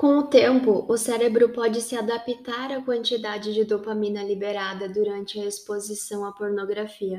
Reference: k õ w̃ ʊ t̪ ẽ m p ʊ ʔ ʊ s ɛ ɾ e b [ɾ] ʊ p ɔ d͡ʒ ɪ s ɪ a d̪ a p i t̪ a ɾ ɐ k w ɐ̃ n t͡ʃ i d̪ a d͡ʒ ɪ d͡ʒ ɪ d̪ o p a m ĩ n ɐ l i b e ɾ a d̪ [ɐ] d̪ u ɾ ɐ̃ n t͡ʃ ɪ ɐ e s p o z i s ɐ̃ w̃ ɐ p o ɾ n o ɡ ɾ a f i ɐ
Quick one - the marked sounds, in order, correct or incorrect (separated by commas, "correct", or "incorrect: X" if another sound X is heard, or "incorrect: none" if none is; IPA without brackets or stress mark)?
correct, correct